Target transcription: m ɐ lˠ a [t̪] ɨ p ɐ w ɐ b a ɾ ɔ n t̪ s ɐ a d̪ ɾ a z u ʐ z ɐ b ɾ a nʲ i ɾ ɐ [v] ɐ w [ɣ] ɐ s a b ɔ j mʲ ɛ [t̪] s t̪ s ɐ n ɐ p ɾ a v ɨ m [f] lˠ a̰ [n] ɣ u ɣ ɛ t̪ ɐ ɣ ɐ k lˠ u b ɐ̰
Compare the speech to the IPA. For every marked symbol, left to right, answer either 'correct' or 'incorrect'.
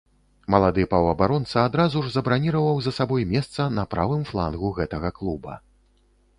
incorrect, correct, incorrect, incorrect, correct, correct

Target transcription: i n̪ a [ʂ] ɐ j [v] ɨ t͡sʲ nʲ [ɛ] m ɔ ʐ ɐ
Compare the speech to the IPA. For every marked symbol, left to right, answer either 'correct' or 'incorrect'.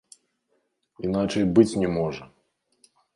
incorrect, incorrect, correct

